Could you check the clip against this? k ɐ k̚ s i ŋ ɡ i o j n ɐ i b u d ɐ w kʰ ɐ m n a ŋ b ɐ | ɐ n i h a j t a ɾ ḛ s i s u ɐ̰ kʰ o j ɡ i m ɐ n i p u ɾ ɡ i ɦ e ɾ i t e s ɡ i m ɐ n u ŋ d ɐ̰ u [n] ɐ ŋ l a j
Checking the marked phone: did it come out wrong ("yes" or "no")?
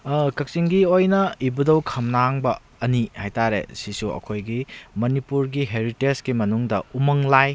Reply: yes